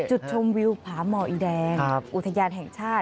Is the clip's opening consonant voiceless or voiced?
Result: voiceless